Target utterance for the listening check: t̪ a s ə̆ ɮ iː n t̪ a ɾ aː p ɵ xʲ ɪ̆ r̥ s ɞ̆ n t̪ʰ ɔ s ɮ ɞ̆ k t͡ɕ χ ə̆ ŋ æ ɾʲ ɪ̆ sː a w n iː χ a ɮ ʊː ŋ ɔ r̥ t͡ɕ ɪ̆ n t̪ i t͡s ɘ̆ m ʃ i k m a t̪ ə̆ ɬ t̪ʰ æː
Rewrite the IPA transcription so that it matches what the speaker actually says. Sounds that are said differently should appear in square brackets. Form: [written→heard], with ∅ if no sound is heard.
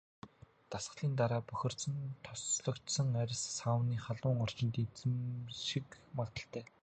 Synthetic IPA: t̪ a s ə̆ ɮ iː n t̪ a ɾ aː p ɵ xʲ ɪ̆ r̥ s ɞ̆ n t̪ʰ ɔ s ɮ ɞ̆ k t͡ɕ [χ→s] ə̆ ŋ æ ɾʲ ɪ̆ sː a w n iː χ a ɮ ʊː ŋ ɔ r̥ t͡ɕ ɪ̆ n t̪ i t͡s ɘ̆ m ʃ i k m a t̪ ə̆ ɬ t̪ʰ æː